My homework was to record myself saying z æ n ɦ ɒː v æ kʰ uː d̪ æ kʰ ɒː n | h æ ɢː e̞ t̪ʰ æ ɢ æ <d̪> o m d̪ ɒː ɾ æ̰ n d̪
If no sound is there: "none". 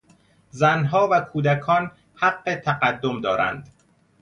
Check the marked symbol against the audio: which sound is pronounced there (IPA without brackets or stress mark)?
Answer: d̪ː